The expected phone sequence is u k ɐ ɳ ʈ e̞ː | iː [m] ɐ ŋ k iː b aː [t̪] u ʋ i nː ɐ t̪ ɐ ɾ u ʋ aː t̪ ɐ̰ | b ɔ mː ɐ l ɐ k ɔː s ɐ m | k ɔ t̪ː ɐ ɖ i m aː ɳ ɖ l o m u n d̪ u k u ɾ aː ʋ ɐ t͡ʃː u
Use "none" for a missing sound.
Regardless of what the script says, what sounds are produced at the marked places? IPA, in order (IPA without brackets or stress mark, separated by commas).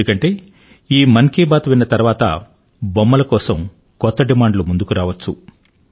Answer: m, t̪